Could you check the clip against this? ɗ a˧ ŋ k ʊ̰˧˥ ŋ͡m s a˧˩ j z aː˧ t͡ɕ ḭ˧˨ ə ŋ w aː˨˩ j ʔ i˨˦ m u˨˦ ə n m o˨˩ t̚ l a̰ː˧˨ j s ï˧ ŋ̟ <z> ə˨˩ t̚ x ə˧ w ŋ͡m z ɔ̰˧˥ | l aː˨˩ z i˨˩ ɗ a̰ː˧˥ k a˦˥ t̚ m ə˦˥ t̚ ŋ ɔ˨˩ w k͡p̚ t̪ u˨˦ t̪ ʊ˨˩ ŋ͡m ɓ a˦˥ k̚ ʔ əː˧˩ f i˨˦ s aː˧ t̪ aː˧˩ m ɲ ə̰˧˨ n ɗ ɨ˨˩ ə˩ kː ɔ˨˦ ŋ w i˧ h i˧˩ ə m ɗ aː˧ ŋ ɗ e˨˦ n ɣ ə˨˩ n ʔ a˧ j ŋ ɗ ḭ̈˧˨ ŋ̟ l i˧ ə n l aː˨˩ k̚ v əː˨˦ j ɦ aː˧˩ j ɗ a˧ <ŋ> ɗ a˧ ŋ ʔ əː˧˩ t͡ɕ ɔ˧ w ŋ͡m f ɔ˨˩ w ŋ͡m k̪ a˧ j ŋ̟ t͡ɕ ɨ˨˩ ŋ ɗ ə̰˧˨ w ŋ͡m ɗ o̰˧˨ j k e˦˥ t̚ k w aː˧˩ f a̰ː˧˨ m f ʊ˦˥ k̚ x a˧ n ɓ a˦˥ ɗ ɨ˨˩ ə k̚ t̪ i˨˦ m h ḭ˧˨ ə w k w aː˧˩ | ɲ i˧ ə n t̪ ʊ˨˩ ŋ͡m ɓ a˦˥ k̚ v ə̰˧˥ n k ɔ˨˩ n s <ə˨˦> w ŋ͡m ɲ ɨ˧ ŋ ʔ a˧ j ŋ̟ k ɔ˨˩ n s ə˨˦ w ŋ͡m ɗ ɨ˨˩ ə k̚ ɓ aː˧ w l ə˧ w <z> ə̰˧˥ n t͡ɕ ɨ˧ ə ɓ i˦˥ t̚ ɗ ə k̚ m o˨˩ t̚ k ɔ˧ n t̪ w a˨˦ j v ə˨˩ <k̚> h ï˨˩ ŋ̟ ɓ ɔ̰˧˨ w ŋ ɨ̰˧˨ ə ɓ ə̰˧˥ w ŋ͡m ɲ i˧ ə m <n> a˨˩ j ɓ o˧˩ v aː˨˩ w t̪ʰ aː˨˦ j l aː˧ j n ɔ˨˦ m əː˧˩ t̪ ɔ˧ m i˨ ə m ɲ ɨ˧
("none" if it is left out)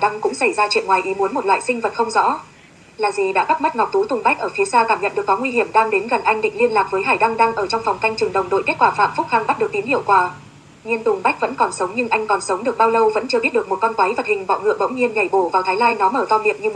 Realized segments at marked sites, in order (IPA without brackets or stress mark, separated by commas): v, ŋ, ə˨˦, v, t̚, ɲ